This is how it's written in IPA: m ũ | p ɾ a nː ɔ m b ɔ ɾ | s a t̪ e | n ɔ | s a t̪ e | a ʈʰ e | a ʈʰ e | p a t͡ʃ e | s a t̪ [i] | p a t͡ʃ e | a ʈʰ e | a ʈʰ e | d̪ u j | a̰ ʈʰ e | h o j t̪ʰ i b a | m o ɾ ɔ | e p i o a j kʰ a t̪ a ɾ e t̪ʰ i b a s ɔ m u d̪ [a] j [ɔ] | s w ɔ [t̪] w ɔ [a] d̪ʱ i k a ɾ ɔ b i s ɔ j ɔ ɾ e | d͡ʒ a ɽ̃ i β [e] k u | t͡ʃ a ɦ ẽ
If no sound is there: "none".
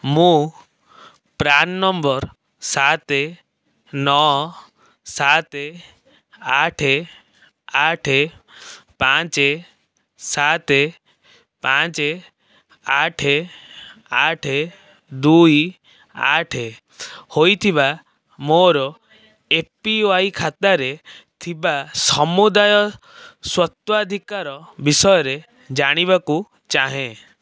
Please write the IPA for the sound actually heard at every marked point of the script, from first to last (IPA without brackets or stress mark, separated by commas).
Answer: e, a, ɔ, t̪, a, a